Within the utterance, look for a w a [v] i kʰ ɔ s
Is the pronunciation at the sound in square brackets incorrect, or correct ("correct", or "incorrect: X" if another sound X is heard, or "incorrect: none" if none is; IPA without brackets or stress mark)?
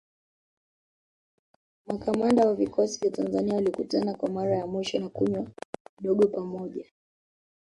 correct